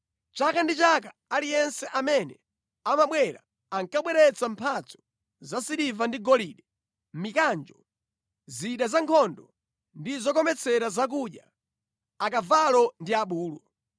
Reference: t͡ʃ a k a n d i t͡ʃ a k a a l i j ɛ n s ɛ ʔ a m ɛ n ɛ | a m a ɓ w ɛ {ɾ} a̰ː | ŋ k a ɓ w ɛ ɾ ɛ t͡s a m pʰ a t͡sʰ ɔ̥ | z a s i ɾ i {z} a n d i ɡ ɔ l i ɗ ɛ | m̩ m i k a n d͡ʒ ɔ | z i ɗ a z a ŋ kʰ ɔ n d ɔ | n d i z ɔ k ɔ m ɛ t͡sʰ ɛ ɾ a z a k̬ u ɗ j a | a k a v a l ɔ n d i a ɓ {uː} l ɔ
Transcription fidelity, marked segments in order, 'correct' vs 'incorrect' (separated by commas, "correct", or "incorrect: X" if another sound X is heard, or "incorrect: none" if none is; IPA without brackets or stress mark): correct, incorrect: v, correct